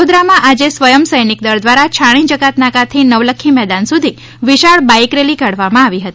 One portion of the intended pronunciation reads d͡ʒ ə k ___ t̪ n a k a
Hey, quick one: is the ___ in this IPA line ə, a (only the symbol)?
a